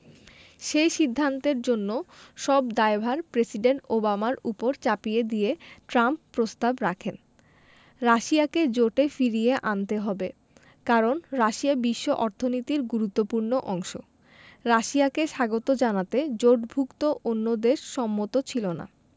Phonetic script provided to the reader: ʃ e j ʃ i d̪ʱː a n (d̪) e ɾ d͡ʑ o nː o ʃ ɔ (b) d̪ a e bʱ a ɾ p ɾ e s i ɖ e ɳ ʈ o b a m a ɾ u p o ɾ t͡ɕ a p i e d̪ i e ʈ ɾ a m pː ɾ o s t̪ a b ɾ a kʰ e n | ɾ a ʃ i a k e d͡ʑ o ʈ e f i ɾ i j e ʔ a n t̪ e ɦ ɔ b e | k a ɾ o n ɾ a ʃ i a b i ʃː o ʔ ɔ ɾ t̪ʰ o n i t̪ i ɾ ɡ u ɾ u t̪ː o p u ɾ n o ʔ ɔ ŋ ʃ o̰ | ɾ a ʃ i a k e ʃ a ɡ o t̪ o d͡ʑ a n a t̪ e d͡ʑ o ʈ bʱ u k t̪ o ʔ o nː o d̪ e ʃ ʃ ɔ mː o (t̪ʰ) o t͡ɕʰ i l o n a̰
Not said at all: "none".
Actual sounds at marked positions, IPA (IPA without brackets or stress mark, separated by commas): t̪, b, t̪